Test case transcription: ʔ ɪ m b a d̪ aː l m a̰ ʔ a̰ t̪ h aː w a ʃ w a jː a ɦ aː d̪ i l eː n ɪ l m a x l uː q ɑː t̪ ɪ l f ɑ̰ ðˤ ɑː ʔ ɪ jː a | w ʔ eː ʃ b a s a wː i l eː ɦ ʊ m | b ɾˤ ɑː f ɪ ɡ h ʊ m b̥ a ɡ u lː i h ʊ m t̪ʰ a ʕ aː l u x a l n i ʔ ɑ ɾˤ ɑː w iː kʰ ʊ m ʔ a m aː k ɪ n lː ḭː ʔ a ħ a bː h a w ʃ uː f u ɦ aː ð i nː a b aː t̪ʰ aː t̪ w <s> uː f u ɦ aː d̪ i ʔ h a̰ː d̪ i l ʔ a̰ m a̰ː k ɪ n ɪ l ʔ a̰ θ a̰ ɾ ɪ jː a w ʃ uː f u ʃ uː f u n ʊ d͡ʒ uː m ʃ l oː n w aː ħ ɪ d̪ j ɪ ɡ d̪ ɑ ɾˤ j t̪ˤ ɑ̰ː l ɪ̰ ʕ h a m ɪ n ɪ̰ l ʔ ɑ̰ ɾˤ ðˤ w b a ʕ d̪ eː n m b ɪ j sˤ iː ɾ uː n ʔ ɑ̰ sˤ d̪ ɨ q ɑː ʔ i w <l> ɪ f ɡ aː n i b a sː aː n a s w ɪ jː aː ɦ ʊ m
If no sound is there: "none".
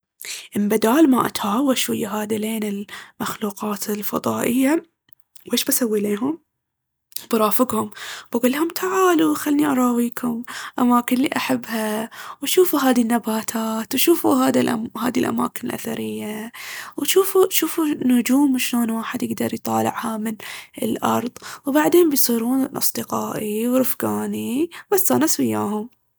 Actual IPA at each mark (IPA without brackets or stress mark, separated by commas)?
ʃ, ɾ